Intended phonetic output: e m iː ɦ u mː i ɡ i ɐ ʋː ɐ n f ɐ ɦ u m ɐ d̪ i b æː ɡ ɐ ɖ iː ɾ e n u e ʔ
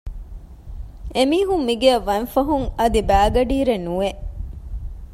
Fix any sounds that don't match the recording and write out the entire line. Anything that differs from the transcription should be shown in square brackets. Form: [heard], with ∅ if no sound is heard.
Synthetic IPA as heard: e m iː ɦ u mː i ɡ [e] ɐ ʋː ɐ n f ɐ ɦ u [ŋ] ɐ d̪ i b æː ɡ ɐ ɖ iː ɾ e n u e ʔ